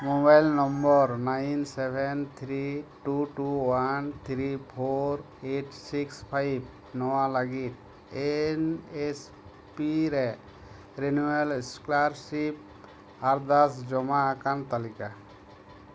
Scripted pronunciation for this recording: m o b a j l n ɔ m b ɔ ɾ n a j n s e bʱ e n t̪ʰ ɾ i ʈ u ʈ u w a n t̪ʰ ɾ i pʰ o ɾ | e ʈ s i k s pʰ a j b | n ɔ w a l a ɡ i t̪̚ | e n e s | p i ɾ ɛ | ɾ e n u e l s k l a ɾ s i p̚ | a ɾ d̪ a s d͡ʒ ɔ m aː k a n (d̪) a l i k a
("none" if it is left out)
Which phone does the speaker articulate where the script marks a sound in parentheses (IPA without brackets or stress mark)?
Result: t̪